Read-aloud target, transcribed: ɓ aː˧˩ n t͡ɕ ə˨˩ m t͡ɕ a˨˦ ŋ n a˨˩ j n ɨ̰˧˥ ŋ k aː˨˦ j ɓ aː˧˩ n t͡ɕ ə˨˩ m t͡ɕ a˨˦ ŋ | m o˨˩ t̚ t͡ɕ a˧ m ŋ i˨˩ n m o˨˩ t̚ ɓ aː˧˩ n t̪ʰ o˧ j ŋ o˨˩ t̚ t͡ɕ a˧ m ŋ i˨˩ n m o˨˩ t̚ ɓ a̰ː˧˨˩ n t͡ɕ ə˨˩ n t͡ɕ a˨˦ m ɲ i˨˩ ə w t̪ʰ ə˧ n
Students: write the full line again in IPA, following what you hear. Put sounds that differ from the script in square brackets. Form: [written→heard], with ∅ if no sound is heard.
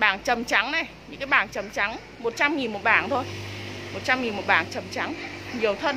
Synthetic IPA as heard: ɓ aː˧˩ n t͡ɕ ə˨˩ m t͡ɕ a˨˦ ŋ n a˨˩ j [n→ɲ] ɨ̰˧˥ ŋ k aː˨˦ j ɓ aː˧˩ n t͡ɕ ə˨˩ m t͡ɕ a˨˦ ŋ | m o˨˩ t̚ t͡ɕ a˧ m ŋ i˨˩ n m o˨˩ t̚ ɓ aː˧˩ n t̪ʰ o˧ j [ŋ→m] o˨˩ t̚ t͡ɕ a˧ m ŋ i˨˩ n m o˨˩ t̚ ɓ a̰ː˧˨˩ n t͡ɕ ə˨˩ [n→m] t͡ɕ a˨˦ [m→ŋ] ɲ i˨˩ ə w t̪ʰ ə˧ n